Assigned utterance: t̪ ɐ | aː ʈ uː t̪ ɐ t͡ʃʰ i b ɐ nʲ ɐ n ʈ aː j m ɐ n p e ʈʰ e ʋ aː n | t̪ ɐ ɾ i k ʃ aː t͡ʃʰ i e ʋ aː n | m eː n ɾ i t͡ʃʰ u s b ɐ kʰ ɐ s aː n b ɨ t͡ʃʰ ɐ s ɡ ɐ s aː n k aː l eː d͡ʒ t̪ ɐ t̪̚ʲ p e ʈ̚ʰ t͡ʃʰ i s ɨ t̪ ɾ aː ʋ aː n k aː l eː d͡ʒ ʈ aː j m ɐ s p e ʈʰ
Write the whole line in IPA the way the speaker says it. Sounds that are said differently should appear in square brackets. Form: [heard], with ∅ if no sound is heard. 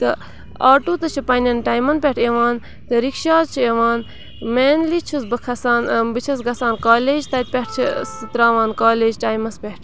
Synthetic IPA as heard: t̪ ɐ | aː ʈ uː t̪ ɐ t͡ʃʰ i [p] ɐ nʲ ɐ n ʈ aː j m ɐ n p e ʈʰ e ʋ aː n | t̪ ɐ ɾ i k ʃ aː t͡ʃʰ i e ʋ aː n | m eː n [l] i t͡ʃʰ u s b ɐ kʰ ɐ s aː n b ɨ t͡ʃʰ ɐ s ɡ ɐ s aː n k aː l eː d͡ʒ t̪ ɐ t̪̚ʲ p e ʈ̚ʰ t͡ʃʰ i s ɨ t̪ ɾ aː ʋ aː n k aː l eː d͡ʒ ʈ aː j m ɐ s p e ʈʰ